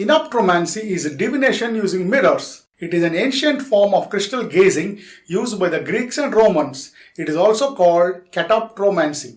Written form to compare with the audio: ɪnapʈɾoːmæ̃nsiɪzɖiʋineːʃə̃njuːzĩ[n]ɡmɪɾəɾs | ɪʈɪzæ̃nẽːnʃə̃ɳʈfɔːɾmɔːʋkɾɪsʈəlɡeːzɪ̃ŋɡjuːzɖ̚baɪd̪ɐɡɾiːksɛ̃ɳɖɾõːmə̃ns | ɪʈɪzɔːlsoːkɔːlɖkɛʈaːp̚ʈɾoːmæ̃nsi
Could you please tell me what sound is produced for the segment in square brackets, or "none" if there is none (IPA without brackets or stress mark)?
ŋ